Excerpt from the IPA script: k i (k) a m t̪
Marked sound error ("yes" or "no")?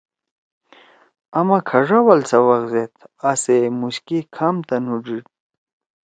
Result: yes